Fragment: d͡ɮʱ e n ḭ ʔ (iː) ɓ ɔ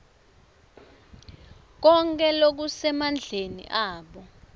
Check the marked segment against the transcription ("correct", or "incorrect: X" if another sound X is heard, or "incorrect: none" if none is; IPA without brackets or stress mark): incorrect: aː